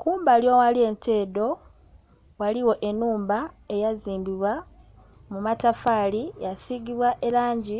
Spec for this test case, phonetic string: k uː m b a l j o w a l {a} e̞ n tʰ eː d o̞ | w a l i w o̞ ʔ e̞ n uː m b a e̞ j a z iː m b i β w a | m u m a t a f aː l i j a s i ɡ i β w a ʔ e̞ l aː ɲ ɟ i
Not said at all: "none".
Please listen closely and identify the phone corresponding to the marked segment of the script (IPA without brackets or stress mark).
i